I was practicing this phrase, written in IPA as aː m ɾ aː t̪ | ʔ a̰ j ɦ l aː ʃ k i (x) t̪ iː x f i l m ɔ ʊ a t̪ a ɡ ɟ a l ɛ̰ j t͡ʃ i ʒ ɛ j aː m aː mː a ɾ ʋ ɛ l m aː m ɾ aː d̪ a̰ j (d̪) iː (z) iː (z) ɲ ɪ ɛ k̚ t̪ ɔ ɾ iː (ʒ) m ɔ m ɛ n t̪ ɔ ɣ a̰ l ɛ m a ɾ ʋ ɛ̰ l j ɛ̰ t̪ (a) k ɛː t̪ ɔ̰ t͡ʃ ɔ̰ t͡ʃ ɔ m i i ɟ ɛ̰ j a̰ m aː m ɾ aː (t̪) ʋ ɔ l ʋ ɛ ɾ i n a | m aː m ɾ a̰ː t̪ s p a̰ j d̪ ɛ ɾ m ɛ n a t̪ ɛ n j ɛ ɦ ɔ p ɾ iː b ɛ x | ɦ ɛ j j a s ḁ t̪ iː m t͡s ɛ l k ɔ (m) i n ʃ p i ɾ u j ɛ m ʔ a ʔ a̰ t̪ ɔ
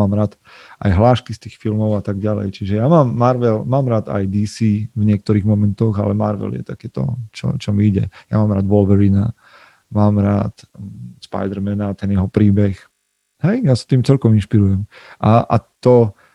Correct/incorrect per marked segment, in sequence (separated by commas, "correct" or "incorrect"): incorrect, correct, incorrect, incorrect, incorrect, correct, incorrect, correct